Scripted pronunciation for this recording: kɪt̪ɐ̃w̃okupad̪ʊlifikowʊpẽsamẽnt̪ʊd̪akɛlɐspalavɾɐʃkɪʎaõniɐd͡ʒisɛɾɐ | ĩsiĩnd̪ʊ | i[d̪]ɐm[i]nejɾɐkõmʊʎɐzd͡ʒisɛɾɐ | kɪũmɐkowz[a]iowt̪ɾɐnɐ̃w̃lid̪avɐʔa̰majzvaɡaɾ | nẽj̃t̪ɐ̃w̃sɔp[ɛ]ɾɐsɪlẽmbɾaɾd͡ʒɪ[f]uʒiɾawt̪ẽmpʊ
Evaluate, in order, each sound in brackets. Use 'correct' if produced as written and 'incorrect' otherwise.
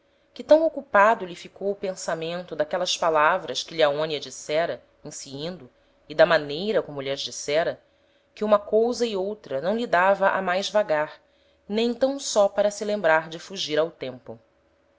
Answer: correct, incorrect: a, incorrect: ɐ, incorrect: a, correct

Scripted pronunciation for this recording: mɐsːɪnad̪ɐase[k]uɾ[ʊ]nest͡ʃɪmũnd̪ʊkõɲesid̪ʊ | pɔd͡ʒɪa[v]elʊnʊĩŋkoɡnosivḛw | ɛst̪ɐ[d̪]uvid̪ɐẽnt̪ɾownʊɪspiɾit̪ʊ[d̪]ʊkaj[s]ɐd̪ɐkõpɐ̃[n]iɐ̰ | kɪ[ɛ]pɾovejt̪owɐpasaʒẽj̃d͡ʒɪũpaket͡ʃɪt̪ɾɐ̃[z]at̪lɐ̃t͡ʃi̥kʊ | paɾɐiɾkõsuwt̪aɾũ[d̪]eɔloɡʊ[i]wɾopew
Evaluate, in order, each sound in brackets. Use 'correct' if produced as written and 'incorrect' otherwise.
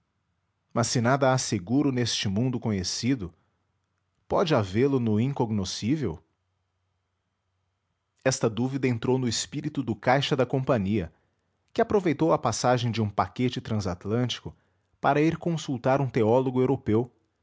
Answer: incorrect: ɡ, correct, correct, correct, correct, incorrect: ʃ, incorrect: ɲ, incorrect: a, correct, incorrect: t̪, incorrect: e

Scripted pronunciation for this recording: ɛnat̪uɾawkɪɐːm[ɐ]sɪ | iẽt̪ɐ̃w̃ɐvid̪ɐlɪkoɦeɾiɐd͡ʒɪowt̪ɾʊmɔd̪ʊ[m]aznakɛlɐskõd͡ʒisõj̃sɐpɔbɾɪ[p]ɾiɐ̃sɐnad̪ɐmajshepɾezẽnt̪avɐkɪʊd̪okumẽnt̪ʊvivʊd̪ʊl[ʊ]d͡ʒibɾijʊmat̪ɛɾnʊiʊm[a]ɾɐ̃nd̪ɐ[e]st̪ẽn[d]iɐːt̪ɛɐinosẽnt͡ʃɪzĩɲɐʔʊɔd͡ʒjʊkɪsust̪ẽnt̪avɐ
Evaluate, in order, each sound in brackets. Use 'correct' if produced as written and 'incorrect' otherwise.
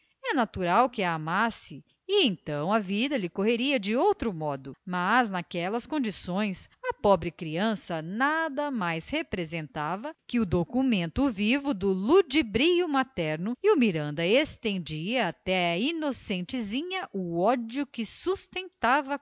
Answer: incorrect: a, correct, incorrect: k, incorrect: u, incorrect: i, correct, incorrect: d͡ʒ

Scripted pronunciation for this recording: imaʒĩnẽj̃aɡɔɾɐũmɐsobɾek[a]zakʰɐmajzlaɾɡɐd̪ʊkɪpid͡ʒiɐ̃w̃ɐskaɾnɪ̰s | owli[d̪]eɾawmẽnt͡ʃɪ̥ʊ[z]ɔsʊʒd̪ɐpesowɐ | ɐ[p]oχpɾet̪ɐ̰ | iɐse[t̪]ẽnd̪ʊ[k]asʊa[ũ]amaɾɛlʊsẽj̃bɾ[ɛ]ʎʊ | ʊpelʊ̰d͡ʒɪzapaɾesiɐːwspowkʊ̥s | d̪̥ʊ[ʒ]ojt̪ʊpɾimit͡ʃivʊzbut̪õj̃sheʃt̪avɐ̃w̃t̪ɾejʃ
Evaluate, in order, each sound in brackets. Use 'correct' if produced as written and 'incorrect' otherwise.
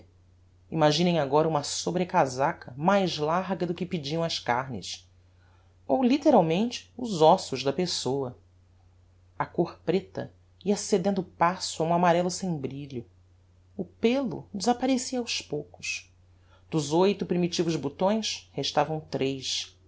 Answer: correct, incorrect: t̪, correct, incorrect: k, incorrect: d̪, incorrect: p, correct, incorrect: i, incorrect: z

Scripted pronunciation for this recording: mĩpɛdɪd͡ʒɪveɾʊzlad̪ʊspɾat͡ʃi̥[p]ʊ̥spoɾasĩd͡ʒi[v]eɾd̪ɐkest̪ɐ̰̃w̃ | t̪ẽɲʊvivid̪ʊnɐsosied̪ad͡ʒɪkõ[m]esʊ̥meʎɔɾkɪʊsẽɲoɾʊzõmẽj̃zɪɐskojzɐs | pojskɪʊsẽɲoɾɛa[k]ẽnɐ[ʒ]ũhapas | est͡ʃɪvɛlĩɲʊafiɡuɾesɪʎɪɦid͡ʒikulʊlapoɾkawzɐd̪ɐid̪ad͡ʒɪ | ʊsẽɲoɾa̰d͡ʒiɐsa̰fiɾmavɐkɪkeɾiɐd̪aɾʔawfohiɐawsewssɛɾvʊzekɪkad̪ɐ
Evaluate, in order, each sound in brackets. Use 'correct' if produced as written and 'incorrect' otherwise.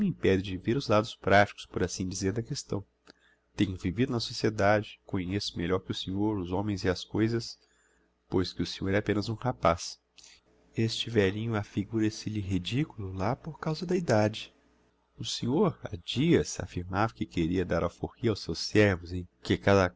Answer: incorrect: k, incorrect: z, incorrect: ɲ, incorrect: p, incorrect: z

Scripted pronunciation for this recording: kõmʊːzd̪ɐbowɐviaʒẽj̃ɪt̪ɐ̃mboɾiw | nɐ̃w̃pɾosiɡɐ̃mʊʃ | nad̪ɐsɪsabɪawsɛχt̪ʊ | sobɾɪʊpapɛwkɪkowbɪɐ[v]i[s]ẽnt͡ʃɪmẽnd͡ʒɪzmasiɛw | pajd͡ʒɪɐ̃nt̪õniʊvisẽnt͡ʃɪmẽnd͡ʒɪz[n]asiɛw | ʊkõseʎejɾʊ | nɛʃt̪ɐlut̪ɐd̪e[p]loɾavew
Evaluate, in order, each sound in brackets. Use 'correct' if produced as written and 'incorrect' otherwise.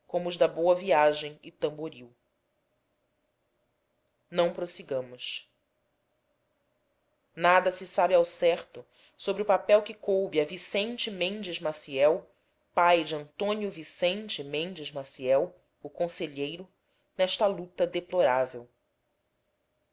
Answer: correct, correct, incorrect: m, correct

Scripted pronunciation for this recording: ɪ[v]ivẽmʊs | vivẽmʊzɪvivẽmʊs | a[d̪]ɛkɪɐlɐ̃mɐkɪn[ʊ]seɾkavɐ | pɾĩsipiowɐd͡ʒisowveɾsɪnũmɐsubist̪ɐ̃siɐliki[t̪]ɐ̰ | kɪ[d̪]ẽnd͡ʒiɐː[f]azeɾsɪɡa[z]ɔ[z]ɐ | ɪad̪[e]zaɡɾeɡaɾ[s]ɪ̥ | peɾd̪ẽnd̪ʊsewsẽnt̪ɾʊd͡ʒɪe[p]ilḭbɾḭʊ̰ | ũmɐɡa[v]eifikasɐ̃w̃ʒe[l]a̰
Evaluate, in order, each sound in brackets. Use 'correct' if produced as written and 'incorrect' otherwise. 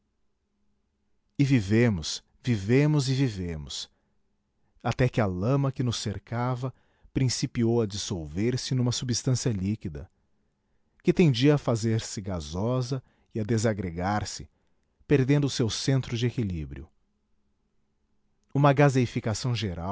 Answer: correct, incorrect: t̪, correct, incorrect: d̪, incorrect: t̪, correct, correct, correct, correct, correct, incorrect: k, incorrect: z, incorrect: ɾ

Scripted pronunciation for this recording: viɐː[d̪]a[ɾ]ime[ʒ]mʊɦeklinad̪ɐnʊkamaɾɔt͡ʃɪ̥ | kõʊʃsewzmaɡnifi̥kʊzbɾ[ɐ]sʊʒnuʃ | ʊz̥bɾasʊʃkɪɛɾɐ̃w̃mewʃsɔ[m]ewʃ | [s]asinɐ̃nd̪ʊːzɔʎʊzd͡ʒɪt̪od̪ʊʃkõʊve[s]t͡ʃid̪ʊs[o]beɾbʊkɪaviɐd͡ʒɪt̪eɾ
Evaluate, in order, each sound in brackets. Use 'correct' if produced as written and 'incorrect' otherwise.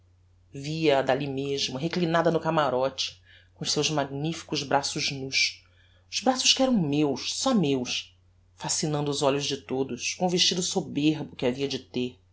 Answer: correct, incorrect: l, correct, incorrect: a, correct, incorrect: f, incorrect: ʃ, correct

